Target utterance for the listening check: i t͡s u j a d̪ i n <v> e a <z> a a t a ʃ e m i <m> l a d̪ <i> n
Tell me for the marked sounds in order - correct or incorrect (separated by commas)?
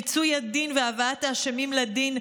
correct, incorrect, correct, correct